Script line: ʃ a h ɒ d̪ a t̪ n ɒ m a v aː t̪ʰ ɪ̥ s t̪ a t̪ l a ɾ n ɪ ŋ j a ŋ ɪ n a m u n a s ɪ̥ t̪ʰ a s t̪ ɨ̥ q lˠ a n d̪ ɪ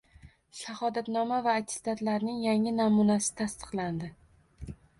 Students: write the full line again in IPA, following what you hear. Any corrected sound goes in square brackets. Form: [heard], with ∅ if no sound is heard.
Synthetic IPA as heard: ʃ a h ɒ d̪ a t̪ n ɒ m a v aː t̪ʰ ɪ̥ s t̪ a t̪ l a ɾ n ɪ ŋ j a ŋ ɪ n a m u n a s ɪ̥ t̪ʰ a s t̪ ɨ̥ q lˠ a n d̪ ɪ